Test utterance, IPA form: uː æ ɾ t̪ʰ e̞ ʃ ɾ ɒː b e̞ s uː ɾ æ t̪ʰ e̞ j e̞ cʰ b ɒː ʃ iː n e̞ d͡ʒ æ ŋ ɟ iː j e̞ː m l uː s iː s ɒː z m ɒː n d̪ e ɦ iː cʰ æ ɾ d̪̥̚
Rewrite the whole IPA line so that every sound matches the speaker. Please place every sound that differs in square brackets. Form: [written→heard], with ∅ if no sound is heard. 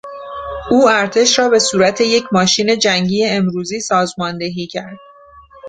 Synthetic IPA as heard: uː æ ɾ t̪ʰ e̞ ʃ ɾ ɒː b e̞ s uː ɾ æ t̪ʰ e̞ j e̞ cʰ [b→m] ɒː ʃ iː n e̞ d͡ʒ æ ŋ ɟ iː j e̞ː m [l→ɾ] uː [s→z] iː s ɒː z m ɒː n d̪ e ɦ iː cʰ æ ɾ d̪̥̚